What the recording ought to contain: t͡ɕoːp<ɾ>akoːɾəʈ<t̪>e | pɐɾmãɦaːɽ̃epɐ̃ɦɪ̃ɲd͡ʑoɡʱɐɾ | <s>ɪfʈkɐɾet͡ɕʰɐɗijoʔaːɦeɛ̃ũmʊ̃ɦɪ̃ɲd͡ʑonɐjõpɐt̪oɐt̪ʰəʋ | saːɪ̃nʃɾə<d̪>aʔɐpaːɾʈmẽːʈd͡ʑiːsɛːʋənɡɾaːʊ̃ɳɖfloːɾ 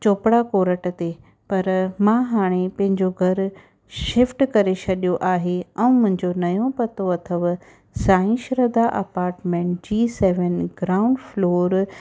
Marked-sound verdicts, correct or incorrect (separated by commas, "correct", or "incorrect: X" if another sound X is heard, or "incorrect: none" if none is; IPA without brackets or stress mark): incorrect: ɽ, correct, incorrect: ʃ, correct